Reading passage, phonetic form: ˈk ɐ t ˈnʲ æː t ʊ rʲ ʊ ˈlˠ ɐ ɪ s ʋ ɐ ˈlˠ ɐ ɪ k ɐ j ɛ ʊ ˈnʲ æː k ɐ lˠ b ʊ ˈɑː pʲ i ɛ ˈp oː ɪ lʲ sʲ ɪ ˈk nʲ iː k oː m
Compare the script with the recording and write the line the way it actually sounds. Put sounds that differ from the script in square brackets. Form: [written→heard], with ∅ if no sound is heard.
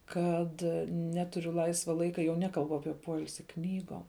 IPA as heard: ˈk ɐ t ˈnʲ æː t ʊ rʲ ʊ ˈlˠ ɐ ɪ s ʋ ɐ ˈlˠ ɐ ɪ k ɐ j ɛ ʊ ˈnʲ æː k ɐ lˠ b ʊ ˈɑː pʲ i ɛ ˈp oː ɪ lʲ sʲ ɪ ˈk nʲ iː [k→ɡ] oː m